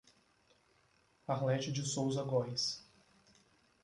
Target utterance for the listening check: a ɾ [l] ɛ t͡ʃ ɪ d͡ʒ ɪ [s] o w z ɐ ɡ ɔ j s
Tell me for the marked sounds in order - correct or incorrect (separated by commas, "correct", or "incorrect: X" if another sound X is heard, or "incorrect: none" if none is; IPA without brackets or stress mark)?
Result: correct, correct